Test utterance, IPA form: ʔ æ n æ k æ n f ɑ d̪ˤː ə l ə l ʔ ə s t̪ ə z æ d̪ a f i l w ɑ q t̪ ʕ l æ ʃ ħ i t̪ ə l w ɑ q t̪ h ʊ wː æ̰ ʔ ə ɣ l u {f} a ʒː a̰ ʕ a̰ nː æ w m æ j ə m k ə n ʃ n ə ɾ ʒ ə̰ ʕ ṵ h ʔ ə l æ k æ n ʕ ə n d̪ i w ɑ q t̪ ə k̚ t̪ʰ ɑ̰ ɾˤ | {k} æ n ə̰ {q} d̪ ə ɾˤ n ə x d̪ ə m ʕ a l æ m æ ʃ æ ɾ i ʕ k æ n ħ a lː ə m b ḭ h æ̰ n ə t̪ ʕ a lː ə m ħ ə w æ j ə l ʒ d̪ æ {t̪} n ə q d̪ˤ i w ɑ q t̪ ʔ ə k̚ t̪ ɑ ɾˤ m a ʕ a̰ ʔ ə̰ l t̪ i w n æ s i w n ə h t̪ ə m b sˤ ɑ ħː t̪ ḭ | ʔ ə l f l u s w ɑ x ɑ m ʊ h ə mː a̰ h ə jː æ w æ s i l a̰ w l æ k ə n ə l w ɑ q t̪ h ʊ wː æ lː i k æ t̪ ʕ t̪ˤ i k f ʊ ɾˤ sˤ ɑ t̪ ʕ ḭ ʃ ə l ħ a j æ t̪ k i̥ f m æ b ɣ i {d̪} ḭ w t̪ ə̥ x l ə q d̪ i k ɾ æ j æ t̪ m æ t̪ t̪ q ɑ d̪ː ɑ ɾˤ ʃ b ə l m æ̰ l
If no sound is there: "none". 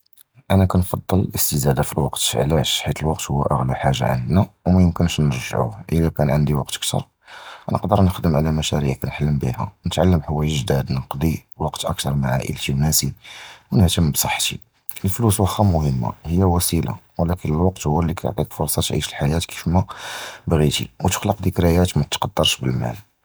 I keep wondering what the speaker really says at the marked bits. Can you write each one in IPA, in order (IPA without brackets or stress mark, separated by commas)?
ħ, ʔ, q, d̪, t̪